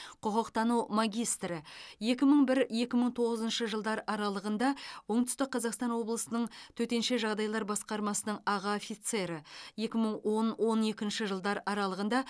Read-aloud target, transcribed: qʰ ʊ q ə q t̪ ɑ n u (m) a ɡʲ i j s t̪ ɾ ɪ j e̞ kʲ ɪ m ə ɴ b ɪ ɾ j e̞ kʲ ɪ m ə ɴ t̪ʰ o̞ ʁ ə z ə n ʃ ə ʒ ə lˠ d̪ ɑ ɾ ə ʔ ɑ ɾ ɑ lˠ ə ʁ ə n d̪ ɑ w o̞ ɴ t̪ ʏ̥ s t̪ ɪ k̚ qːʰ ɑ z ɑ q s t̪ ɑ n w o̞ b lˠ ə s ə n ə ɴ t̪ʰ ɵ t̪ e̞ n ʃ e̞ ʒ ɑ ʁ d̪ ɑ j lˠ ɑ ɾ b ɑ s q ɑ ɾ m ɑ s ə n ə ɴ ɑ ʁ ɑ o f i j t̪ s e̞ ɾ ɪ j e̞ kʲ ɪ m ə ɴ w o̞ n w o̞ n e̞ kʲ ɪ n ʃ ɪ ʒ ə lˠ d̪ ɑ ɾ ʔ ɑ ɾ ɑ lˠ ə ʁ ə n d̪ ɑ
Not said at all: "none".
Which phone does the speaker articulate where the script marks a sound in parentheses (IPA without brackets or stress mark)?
m